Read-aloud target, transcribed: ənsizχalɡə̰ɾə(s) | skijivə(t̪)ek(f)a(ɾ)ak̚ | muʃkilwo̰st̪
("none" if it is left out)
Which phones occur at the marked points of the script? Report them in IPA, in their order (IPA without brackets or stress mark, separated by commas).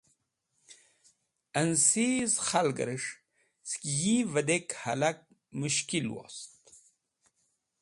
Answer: ʂ, d̪, h, l